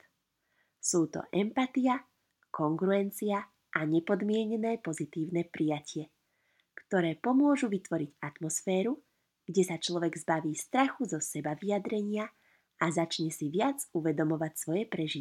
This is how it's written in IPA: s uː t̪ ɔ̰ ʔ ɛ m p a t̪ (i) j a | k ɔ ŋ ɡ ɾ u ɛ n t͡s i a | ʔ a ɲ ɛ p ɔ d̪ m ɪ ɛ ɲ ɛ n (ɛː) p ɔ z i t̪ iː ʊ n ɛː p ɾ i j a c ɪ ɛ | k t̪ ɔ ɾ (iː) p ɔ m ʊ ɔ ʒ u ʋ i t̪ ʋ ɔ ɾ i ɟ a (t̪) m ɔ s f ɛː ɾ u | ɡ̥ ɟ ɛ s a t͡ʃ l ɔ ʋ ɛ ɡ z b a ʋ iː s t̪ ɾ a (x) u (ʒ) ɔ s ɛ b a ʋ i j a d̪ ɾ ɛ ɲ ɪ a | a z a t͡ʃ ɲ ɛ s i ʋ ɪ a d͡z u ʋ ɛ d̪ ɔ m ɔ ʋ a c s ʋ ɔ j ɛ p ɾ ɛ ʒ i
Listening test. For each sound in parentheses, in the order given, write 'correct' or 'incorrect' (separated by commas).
correct, correct, incorrect, correct, correct, incorrect